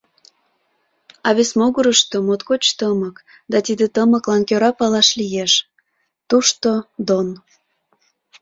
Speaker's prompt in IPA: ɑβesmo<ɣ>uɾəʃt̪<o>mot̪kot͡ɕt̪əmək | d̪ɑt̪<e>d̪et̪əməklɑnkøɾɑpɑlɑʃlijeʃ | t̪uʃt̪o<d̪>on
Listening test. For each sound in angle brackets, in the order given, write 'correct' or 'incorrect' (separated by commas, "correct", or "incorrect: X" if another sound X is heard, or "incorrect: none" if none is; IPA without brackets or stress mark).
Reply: correct, correct, incorrect: i, correct